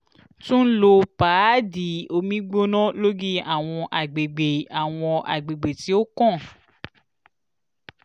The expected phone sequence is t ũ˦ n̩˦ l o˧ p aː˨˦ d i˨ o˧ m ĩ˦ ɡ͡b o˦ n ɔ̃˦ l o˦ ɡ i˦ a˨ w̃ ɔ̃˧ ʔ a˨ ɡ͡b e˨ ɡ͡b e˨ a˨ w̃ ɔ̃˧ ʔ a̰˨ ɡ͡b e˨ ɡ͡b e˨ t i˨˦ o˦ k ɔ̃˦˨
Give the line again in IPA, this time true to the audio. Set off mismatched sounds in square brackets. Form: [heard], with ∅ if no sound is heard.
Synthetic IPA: t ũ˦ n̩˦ l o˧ p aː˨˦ d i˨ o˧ m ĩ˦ ɡ͡b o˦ n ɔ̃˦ l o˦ ɡ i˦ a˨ w̃ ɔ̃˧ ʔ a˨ ɡ͡b e˨ ɡ͡b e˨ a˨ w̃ ɔ̃˧ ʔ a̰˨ ɡ͡b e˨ ɡ͡b e˨ t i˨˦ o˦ k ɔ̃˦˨